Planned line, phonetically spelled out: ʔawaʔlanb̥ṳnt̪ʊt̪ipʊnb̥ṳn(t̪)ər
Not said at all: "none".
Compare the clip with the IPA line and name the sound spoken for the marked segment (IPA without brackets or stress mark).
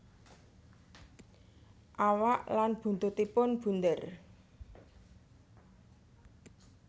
d̪